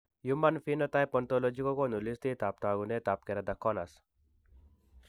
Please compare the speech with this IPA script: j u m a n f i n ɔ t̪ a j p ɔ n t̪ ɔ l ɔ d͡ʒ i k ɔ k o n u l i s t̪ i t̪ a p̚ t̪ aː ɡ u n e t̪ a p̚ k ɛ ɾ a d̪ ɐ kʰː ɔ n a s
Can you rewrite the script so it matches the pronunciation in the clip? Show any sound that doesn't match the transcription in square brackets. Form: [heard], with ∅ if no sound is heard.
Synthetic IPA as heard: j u m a n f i n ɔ t̪ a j p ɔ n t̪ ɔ l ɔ d͡ʒ i k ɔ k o n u l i s t̪ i t̪ a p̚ t̪ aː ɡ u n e t̪ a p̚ k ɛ ɾ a d̪ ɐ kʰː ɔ n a s